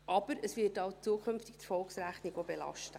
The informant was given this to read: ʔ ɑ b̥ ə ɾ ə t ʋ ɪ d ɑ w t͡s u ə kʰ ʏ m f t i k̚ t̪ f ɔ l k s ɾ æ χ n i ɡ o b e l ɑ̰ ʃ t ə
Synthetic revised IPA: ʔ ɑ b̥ ə ɾ ə s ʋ ɪ t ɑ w t͡s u ə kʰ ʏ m f t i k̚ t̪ f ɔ l k s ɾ æ χ n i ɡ o b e l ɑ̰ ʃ t ə